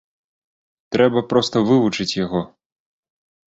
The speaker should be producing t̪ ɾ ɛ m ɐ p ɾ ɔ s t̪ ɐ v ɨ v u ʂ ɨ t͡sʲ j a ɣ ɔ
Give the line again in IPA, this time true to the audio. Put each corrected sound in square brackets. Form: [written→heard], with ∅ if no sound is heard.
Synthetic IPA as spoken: t̪ ɾ ɛ [m→b] ɐ p ɾ ɔ s t̪ ɐ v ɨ v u [ʂ→t͡ʂ] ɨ t͡sʲ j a ɣ ɔ